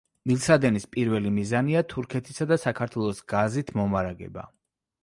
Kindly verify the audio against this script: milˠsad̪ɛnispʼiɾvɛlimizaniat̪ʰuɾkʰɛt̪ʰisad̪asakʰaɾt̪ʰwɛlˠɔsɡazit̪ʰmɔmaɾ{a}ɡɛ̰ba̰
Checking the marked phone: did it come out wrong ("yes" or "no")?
no